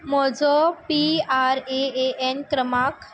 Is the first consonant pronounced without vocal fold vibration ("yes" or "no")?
no